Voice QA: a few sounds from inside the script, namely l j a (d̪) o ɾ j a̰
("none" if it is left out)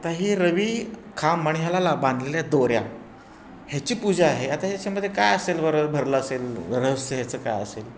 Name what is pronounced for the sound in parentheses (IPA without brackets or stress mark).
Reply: d̪